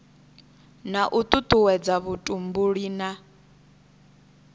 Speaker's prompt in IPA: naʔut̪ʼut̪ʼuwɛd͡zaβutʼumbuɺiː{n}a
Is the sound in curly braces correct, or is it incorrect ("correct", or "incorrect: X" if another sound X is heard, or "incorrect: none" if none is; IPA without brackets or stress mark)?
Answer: correct